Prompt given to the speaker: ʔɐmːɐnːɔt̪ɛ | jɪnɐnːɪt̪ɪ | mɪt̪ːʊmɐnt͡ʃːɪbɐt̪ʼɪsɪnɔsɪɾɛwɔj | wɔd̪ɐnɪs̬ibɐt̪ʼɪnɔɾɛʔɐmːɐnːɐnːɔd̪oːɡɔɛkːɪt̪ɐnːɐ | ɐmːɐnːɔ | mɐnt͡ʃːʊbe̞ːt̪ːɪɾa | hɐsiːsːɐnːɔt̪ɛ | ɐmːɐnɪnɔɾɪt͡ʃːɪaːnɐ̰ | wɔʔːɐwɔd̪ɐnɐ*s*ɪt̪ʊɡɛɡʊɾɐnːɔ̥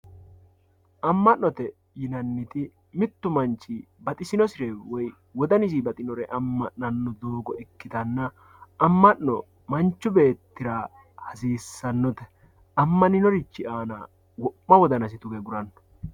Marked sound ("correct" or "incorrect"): correct